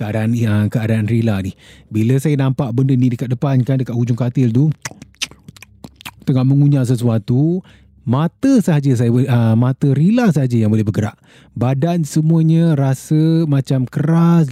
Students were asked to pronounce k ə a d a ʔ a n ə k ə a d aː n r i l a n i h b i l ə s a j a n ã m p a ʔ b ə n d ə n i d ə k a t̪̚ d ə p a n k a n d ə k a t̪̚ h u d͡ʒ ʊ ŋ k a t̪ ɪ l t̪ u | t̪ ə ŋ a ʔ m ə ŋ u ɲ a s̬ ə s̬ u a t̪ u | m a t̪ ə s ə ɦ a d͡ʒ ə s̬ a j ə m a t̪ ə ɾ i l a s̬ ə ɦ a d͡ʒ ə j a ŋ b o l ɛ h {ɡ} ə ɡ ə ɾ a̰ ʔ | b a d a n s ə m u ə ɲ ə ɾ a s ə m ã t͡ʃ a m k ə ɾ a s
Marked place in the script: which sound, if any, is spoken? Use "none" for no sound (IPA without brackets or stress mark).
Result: b